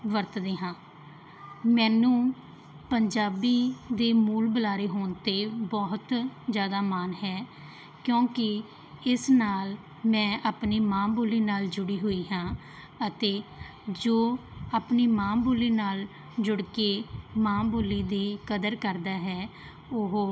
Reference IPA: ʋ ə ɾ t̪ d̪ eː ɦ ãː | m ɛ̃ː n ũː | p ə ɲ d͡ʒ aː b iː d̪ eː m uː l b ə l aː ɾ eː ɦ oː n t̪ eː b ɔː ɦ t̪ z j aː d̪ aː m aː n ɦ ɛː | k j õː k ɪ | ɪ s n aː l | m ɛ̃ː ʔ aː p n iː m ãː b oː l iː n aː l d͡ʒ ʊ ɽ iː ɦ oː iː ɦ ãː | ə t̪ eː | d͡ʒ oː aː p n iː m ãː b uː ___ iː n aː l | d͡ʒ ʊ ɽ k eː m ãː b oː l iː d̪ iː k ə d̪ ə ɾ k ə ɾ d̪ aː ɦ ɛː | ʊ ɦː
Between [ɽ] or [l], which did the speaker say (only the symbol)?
l